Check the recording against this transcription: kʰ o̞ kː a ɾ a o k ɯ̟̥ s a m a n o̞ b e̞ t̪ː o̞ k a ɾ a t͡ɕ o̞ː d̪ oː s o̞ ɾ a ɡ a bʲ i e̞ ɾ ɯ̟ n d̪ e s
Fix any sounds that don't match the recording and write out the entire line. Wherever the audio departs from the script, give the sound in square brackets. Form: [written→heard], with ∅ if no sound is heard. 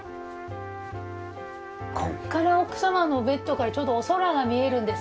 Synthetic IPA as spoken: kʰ o̞ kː a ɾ a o k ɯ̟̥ s a m a n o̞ b e̞ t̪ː o̞ k a ɾ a t͡ɕ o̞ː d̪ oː s o̞ ɾ a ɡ a [bʲ→mʲ] i e̞ ɾ [ɯ̟→ɯ̟̃] n d̪ e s